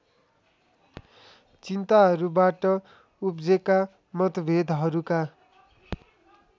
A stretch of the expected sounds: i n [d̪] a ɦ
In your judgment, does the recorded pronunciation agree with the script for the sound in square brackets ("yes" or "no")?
no